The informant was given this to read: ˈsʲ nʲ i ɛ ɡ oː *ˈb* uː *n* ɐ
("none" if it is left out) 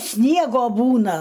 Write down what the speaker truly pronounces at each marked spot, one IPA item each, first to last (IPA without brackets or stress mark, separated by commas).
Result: b, n